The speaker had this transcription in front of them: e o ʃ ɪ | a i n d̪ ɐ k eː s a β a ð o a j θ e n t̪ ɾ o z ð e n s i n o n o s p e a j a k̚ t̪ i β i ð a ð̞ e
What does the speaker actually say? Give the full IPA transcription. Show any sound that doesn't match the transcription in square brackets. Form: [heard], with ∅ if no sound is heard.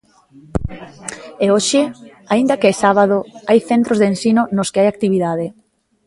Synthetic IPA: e o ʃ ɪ | a i n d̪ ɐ k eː s a β a ð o a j θ e n t̪ ɾ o z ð e n s i n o n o s [k] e a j a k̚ t̪ i β i ð a ð̞ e

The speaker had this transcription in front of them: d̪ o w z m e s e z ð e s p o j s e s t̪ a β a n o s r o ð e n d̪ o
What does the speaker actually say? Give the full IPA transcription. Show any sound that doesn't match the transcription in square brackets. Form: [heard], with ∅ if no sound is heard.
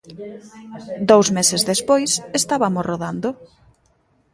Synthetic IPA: d̪ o w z m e s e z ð e s p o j s e s t̪ a β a [m] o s r o ð [a] n d̪ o

